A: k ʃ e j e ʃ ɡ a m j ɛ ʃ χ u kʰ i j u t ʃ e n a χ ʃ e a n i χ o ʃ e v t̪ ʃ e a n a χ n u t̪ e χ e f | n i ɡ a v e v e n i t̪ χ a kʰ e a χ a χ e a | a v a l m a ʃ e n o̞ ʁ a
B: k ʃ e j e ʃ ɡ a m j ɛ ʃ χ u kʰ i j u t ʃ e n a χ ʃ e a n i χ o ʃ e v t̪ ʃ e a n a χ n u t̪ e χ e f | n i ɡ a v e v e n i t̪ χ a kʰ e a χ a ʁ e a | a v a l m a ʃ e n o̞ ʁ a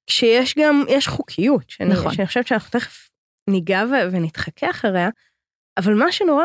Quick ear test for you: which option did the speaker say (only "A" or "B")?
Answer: B